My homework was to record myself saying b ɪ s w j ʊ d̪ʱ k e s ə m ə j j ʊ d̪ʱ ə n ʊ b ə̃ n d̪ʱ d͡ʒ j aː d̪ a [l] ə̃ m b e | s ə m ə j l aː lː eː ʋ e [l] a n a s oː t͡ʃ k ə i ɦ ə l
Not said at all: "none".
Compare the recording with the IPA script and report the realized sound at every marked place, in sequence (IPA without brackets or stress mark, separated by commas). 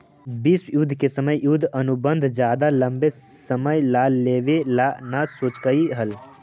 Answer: l, l